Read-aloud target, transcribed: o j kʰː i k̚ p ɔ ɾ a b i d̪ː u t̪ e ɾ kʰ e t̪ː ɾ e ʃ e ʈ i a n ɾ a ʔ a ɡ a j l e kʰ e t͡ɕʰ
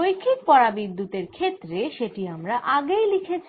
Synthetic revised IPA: o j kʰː i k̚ p ɔ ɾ a b i d̪ː u t̪ e ɾ kʰ e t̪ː ɾ e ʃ e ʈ i a m ɾ a ʔ a ɡ e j l i kʰ e t͡ɕʰ